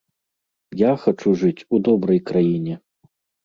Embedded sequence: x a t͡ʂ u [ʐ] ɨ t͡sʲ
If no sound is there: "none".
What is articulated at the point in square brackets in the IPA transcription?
ʐ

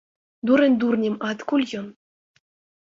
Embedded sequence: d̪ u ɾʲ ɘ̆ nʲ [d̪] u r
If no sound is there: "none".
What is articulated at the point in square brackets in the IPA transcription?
d̪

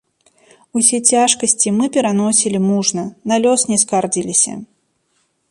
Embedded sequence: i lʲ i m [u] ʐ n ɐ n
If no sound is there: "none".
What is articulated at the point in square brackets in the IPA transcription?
u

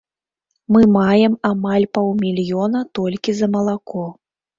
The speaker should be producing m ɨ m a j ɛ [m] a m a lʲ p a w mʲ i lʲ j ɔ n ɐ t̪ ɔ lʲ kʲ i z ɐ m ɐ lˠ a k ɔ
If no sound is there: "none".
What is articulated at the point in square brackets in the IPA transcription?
m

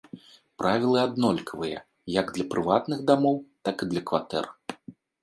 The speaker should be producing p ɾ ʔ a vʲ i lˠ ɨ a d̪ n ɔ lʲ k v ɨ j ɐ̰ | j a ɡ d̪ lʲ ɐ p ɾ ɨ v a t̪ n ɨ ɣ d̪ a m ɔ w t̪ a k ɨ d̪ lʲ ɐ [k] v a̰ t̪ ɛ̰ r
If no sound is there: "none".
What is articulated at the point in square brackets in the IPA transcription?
k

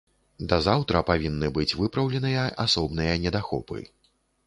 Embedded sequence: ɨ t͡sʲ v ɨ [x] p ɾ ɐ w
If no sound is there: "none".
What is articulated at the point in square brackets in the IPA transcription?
none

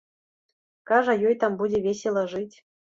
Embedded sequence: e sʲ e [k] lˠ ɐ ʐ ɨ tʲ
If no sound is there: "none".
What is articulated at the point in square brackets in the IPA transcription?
none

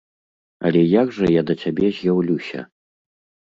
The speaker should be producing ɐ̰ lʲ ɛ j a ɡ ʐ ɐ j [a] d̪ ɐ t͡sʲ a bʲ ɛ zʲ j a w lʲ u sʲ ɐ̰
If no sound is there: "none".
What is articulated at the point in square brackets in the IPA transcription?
a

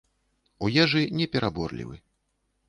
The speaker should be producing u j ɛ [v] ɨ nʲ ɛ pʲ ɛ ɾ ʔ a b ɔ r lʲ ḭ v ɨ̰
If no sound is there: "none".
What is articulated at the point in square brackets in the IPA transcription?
ʐ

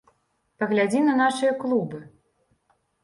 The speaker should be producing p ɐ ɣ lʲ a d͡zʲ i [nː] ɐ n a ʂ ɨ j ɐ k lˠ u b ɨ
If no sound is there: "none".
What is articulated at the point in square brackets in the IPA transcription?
n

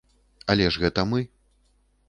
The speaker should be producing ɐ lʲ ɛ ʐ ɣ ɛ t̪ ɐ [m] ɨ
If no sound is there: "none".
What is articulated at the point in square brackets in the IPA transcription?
m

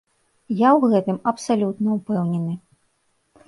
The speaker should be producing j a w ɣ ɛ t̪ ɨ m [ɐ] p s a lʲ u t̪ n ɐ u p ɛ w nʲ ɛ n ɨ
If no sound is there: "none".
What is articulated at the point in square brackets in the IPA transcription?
ɐ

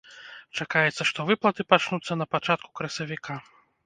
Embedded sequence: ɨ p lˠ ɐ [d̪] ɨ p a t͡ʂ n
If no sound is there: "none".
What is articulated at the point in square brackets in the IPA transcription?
t̪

